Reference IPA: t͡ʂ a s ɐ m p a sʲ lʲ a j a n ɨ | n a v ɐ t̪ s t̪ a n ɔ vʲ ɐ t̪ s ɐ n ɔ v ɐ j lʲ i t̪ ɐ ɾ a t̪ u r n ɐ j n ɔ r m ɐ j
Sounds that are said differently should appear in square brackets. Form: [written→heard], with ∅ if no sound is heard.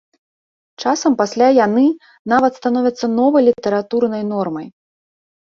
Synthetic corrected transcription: t͡ʂ a s ɐ m p a sʲ lʲ a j a n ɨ | n a v ɐ t̪ s t̪ a n ɔ vʲ ɐ t̪ [s→sː] ɐ n ɔ v ɐ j lʲ i t̪ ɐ ɾ a t̪ u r n ɐ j n ɔ r m ɐ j